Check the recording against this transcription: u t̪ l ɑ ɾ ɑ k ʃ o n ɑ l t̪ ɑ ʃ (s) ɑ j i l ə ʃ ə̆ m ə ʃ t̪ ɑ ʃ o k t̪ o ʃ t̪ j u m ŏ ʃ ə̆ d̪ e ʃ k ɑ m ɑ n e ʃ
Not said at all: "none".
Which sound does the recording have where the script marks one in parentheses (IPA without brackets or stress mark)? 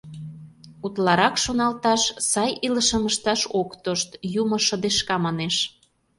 s